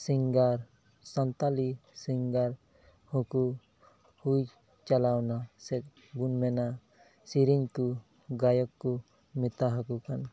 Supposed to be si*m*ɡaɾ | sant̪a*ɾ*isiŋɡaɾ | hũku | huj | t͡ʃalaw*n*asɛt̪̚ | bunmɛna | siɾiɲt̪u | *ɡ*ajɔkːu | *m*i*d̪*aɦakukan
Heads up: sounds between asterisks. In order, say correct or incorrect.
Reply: incorrect, incorrect, correct, correct, correct, incorrect

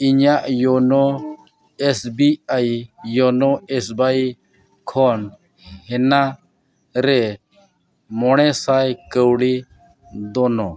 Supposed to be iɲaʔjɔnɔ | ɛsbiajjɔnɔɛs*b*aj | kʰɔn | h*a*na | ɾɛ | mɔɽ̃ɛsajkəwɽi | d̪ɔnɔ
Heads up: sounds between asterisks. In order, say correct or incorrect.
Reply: correct, incorrect

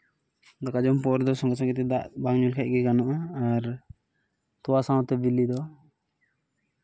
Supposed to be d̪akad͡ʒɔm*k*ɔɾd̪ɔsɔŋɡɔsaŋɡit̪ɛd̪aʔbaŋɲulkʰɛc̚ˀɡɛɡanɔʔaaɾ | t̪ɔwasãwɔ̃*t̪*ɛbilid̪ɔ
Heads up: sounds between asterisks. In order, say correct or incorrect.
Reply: incorrect, correct

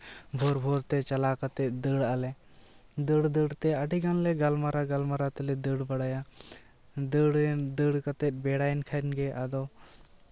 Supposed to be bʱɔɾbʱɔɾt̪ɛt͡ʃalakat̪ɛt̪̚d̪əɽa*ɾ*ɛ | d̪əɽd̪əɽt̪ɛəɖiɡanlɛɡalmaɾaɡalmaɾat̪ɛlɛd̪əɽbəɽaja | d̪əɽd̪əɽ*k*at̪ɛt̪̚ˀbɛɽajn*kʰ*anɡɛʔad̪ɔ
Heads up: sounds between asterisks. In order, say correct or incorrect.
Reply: incorrect, correct, correct

